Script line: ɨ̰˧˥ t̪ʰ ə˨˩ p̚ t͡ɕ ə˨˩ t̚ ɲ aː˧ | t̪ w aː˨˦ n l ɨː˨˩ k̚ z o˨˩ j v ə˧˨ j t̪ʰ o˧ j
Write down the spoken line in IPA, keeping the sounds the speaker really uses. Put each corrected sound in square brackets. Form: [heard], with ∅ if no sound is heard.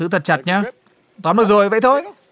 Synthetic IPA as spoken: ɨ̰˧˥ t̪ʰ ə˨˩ [t̚] t͡ɕ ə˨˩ t̚ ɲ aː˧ | t̪ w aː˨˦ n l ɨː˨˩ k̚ z o˨˩ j v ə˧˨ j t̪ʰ o˧ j